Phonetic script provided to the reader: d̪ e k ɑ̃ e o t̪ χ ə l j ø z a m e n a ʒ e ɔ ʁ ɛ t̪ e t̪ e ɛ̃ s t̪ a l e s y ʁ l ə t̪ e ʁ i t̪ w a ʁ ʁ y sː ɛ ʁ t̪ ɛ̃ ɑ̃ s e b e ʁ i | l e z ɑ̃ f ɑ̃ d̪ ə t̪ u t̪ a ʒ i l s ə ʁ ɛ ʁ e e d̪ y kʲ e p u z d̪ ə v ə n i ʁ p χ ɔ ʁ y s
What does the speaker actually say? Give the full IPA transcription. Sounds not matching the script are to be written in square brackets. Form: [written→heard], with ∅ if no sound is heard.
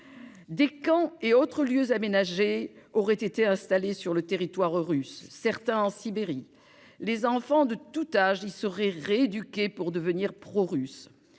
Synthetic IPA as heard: d̪ e k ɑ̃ e o t̪ χ ə l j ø z a m e n a ʒ e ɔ ʁ ɛ t̪ e t̪ e ɛ̃ s t̪ a l e s y ʁ l ə t̪ e ʁ i t̪ w a ʁ ʁ y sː ɛ ʁ t̪ ɛ̃ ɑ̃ s [e→i] b e ʁ i | l e z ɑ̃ f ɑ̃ d̪ ə t̪ u t̪ a ʒ i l s ə ʁ ɛ ʁ e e d̪ y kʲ e p u [z→ʁ] d̪ ə v ə n i ʁ p χ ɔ ʁ y s